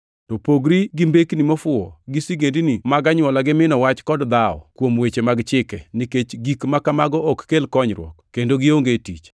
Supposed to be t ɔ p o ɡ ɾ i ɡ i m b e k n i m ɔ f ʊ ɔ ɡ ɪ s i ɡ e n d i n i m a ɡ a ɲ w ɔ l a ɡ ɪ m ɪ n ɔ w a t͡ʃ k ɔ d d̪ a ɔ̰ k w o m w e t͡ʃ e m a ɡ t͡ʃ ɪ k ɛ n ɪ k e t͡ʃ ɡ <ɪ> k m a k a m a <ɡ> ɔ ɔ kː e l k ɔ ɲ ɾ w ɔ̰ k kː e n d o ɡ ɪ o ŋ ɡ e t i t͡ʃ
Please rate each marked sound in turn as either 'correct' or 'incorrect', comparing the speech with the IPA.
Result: incorrect: i, correct

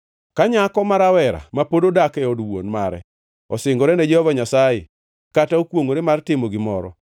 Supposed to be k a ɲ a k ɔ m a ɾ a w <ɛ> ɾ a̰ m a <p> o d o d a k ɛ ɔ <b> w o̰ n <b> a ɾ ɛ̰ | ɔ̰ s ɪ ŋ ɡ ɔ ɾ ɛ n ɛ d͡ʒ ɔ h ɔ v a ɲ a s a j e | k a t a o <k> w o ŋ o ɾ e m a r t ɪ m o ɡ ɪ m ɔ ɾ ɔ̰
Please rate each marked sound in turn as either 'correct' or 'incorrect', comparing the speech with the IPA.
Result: correct, correct, incorrect: d, incorrect: m, correct

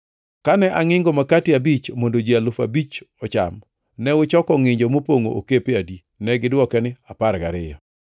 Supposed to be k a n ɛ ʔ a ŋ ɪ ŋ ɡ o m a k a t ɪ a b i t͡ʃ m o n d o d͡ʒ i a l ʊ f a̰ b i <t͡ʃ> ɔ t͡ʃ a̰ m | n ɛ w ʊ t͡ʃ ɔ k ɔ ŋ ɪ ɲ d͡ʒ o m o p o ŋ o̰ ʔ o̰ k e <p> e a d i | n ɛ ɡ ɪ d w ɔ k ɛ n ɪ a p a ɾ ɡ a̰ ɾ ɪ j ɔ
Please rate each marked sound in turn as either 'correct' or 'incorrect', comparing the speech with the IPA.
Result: correct, correct

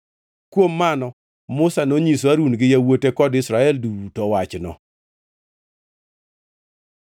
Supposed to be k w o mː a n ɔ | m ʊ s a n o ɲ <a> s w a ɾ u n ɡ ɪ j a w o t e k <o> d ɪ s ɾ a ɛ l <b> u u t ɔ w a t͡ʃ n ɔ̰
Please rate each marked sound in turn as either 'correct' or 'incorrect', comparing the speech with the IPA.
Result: incorrect: i, incorrect: ɔ, incorrect: d

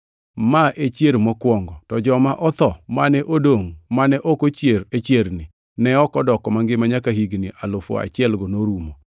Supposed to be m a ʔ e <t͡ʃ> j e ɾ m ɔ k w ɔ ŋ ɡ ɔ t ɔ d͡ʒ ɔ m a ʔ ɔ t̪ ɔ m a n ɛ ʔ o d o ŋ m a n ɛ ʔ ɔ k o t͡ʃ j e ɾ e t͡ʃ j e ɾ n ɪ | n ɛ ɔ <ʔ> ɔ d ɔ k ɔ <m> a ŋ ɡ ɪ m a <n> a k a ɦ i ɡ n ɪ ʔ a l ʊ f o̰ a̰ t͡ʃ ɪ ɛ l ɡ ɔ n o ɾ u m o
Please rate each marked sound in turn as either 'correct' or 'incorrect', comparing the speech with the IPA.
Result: correct, incorrect: k, correct, incorrect: ɲ

